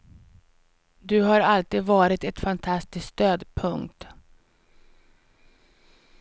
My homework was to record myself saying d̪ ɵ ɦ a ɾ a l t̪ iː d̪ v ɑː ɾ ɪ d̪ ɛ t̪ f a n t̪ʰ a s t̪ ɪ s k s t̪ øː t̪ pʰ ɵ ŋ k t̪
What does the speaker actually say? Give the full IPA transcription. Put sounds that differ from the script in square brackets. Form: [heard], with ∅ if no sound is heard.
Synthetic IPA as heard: d̪ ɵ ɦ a ɾ a l t̪ iː d̪ v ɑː ɾ ɪ [t̪] ɛ t̪ f a n t̪ʰ a s t̪ ɪ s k s t̪ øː [d̪] pʰ ɵ ŋ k t̪